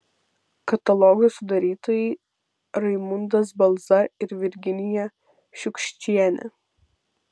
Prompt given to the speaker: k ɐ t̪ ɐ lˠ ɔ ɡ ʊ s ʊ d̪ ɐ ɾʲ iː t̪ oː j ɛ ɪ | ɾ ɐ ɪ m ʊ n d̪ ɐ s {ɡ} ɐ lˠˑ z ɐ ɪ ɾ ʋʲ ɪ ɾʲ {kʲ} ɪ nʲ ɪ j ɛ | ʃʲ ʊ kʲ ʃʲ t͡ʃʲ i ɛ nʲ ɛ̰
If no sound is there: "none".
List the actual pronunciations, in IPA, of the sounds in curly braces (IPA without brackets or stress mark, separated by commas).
b, ɡʲ